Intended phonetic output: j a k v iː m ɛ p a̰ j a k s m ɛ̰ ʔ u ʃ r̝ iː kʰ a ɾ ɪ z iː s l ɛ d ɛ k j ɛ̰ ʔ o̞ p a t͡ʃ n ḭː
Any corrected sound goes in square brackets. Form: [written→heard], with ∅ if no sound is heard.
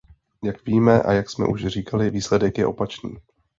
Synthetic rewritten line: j a k v iː m ɛ [p→ʔ] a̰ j a k s m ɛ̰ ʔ u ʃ r̝ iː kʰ a [ɾ→l] ɪ [z→v] iː s l ɛ d ɛ k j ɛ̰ ʔ o̞ p a t͡ʃ n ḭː